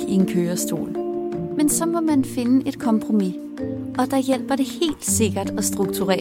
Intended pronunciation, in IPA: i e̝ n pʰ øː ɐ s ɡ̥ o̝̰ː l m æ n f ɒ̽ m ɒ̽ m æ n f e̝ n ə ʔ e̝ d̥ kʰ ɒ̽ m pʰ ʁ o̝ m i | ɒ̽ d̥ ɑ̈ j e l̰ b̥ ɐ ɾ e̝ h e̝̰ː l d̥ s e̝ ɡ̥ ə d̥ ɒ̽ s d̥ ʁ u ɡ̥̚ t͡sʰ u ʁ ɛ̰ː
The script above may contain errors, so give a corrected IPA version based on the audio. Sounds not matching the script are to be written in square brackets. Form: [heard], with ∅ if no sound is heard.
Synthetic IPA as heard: i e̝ n [kʰ] øː ɐ s [d̥] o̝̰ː l m [e] n [s] ɒ̽ m ɒ̽ m æ n f e̝ n ə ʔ e̝ d̥ kʰ ɒ̽ m pʰ ʁ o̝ m i | ɒ̽ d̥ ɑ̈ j e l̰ b̥ ɐ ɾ e̝ h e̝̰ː l d̥ s e̝ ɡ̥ [ɐ] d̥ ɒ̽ s d̥ ʁ u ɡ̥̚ t͡sʰ u ʁ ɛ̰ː